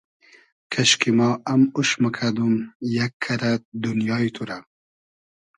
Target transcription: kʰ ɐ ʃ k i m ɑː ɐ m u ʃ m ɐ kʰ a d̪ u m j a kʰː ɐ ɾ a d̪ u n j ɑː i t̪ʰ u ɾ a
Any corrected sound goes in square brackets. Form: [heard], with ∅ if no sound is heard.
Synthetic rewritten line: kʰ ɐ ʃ k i m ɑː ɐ m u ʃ m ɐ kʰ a d̪ u m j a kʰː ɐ ɾ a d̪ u n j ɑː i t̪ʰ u ɾ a